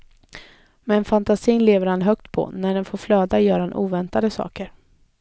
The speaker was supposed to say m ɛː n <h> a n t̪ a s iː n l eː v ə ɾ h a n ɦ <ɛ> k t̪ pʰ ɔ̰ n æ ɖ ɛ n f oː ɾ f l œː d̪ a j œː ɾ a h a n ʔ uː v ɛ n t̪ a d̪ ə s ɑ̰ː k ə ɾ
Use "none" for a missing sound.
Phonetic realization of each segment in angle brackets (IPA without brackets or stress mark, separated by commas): f, œ